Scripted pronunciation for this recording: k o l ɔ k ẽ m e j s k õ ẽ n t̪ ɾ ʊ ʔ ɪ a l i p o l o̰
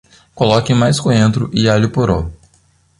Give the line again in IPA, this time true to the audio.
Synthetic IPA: k o l ɔ k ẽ m a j s k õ ẽ n t̪ ɾ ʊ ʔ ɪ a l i p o ɾ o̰